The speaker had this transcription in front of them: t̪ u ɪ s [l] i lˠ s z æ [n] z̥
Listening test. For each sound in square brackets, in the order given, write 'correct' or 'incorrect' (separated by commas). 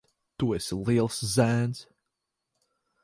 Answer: correct, correct